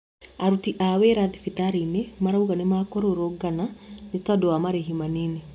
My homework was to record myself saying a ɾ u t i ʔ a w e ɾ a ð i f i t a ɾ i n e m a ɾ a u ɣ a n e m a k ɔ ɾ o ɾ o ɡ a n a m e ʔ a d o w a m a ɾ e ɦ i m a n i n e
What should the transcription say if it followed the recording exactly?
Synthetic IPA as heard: a ɾ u t i ʔ a w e ɾ a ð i f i t a ɾ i n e m a ɾ a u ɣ a n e m a k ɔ ɾ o ɾ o ɡ a n a n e t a d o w a m a ɾ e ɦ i m a n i n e